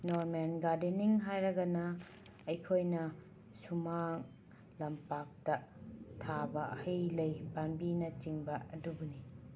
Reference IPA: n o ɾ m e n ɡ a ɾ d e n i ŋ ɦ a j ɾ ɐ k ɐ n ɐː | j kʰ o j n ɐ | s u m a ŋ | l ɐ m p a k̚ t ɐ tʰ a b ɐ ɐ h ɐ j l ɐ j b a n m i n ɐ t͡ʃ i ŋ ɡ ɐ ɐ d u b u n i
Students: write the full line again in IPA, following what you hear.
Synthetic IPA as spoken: n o ɾ m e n ɡ a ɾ d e n i ŋ ɦ a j ɾ ɐ ɡ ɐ n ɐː | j kʰ o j n ɐ | s u m a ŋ | l ɐ m p a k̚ t ɐ tʰ a b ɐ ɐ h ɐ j l ɐ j b a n b i n ɐ t͡ʃ i ŋ b ɐ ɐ d u b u n i